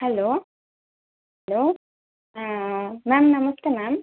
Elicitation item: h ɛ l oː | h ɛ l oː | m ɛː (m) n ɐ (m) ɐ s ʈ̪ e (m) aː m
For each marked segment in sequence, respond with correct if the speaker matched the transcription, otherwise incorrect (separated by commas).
correct, correct, correct